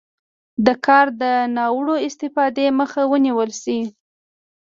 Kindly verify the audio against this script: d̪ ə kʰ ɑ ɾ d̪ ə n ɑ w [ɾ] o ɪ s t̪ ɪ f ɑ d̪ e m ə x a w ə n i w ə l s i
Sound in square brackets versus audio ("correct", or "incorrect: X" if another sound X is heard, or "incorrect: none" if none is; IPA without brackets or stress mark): incorrect: ɽ